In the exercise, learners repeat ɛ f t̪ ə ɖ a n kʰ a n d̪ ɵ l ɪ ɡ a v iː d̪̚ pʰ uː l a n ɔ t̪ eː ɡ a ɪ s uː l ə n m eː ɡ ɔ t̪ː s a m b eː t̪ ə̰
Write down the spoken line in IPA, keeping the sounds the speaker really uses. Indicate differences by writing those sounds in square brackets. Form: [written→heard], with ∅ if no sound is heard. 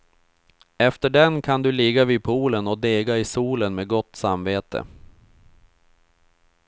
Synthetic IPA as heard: ɛ f t̪ ə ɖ [a→ɛ] n kʰ a n d̪ ɵ l ɪ ɡ a v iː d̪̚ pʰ uː l [a→ə] n ɔ [t̪→d̪] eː ɡ a ɪ s uː l ə n m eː ɡ ɔ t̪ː s a m [b→v] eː t̪ ə̰